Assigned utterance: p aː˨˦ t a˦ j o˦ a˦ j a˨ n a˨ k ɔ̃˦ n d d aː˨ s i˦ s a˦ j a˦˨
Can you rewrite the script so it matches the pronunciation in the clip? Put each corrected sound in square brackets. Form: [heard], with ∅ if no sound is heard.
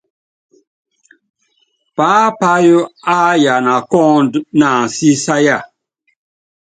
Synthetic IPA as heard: p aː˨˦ [p] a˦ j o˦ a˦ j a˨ n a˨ k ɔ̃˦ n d [n] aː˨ s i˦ s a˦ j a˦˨